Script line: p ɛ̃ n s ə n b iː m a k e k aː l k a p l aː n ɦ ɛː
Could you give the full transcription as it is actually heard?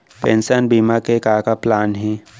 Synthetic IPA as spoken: p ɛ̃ n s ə n b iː m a k e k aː k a p l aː n ɦ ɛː